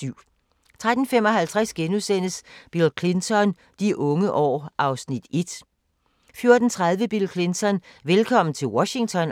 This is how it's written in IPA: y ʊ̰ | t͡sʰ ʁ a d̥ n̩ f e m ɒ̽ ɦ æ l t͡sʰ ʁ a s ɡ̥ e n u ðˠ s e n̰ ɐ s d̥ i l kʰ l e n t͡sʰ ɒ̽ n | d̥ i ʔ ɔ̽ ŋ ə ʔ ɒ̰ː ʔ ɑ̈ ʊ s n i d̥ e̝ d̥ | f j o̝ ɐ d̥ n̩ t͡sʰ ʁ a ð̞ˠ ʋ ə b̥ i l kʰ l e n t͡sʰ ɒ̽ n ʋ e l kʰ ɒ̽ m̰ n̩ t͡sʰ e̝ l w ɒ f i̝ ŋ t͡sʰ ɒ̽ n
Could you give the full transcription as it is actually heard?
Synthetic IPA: y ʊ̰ | t͡sʰ ʁ a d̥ n̩ f e m ɒ̽ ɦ æ l t͡sʰ ʁ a s ɡ̥ e n u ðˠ s e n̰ ə s b̥ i l kʰ l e n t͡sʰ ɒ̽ n | d̥ i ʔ ɔ̽ ŋ ə ʔ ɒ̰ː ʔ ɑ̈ ʊ s n i d̥ e̝ d̥ | f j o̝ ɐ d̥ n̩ t͡sʰ ʁ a ð̞ˠ ʋ ə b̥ i l kʰ l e n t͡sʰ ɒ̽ n ʋ e l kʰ ɒ̽ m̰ n̩ t͡sʰ e̝ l w ɒ ɕ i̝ ŋ t͡sʰ ɒ̽ n